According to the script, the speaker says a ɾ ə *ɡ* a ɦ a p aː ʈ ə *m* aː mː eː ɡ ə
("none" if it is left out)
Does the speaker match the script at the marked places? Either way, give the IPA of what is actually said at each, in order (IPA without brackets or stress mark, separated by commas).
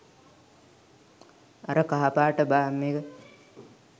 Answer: k, b